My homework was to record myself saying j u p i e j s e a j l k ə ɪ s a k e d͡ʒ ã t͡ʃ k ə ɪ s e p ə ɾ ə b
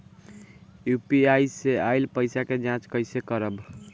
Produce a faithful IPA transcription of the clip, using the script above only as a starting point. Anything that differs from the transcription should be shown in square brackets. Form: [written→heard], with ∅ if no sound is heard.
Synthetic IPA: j u p i [e→a] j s e a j l [k→p] ə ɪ s a k e d͡ʒ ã t͡ʃ k ə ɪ s e [p→k] ə ɾ ə b